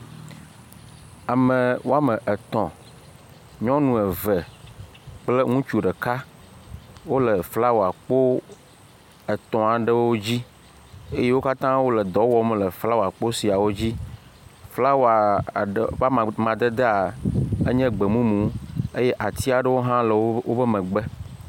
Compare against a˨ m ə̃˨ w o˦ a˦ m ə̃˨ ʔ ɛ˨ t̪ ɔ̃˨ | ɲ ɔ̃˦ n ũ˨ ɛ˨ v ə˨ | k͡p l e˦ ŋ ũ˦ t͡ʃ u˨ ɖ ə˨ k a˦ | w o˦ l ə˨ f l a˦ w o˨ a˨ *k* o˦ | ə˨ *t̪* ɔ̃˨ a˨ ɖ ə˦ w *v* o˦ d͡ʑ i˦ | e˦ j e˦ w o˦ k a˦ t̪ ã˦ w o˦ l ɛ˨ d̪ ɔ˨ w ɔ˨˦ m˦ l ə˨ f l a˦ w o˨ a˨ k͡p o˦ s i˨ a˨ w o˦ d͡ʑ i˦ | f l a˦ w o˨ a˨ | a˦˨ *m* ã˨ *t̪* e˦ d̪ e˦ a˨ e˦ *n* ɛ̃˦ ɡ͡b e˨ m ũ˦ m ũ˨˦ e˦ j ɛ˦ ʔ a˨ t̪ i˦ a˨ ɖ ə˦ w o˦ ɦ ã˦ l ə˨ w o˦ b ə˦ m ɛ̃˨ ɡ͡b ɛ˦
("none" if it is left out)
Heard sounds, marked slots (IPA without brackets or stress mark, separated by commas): k͡p, t̪, w, m, d̪, ɲ